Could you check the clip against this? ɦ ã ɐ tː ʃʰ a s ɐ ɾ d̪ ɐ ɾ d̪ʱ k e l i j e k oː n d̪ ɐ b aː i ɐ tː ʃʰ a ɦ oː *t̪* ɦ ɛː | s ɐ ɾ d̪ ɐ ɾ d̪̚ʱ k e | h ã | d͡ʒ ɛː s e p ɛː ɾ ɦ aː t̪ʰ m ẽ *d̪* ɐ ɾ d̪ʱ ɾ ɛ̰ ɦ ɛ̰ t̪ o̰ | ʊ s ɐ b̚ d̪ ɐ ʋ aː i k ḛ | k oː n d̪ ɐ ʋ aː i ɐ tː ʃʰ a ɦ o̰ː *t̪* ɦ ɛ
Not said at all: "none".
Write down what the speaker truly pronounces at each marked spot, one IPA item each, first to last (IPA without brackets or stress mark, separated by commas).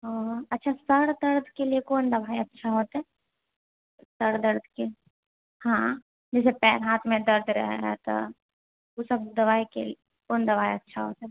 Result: t̪, d̪, t̪